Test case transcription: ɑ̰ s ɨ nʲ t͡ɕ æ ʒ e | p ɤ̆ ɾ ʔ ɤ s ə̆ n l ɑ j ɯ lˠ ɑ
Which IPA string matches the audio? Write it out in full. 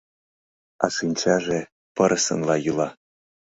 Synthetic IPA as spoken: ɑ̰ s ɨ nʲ t͡ɕ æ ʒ e | p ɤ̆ ɾ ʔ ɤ s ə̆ n l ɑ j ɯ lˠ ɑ